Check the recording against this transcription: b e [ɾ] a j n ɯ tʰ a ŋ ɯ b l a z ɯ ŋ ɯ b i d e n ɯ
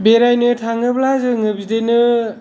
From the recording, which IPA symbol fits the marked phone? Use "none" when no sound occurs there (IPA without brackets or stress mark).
ɾ